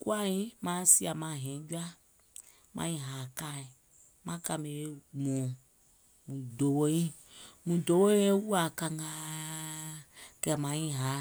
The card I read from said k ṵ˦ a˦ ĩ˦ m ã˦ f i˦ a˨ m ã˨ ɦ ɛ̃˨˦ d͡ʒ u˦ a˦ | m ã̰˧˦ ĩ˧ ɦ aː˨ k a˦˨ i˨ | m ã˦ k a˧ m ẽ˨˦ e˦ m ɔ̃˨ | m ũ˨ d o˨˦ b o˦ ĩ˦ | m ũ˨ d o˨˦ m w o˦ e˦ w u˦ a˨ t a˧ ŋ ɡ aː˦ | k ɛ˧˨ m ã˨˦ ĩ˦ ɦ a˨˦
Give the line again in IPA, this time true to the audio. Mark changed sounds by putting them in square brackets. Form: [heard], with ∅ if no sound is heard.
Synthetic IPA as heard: k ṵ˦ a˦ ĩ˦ m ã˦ [s] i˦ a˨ m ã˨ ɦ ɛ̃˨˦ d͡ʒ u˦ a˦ | m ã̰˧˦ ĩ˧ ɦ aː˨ k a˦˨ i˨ | m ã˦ k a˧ m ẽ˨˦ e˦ m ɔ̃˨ | m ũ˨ d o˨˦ [w] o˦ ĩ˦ | m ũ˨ d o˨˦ [∅] w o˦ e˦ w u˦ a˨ [k] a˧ ŋ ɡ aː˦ | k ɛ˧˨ m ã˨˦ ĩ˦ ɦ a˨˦